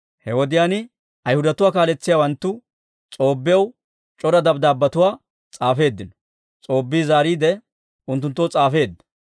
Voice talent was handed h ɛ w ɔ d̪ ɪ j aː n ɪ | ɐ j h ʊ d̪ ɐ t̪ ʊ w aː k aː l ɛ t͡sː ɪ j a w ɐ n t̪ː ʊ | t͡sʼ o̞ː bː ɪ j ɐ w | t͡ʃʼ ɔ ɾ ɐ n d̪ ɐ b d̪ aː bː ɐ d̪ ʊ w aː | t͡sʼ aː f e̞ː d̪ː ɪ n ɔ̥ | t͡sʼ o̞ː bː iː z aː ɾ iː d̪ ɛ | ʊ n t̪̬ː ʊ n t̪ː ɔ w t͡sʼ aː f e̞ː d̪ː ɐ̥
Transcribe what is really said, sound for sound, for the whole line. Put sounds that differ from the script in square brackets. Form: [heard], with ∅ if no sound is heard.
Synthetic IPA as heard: h ɛ w ɔ d̪ ɪ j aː n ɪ | ɐ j h ʊ d̪ ɐ t̪ ʊ w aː k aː l ɛ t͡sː ɪ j a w ɐ n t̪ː ʊ | t͡sʼ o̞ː bː ɪ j ɐ w | t͡ʃʼ ɔ ɾ ɐ [∅] d̪ ɐ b d̪ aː bː ɐ [t̪] ʊ w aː | t͡sʼ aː f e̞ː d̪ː ɪ n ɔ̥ | t͡sʼ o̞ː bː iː z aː ɾ iː d̪ ɛ | ʊ n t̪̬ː ʊ n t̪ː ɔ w t͡sʼ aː f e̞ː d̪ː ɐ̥